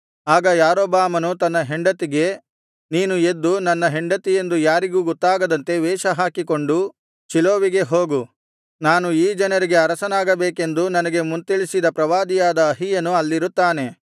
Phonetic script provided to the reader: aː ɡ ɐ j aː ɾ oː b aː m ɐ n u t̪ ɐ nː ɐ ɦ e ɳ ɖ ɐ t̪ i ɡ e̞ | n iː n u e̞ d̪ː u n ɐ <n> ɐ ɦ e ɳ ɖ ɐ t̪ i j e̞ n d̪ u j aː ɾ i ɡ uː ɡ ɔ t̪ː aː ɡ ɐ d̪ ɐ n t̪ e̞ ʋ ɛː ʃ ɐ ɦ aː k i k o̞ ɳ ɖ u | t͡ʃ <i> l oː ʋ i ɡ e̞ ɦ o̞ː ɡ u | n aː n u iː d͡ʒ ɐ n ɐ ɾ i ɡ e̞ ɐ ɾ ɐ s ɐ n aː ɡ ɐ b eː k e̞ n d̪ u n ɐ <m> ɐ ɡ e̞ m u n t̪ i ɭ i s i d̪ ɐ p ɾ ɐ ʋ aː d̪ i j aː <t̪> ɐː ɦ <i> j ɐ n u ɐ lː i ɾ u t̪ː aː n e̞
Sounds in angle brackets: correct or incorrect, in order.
incorrect, correct, incorrect, incorrect, correct

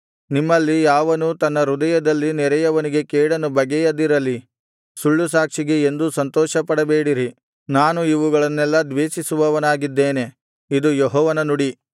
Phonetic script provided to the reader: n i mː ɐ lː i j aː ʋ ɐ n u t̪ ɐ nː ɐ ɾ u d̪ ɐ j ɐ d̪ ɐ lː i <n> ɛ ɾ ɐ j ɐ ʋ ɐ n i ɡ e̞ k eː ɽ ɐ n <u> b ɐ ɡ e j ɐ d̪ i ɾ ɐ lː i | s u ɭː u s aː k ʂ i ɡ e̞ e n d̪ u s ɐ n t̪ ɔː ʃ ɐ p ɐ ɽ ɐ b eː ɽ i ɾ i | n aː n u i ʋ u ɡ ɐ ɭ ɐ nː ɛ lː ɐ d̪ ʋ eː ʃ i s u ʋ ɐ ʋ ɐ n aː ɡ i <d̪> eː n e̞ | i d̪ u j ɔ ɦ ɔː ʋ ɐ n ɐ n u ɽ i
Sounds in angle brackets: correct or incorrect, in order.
correct, correct, incorrect

